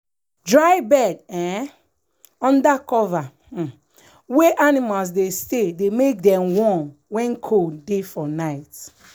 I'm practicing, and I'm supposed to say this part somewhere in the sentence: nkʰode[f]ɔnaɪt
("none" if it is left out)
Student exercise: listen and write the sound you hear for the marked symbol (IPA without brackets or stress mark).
f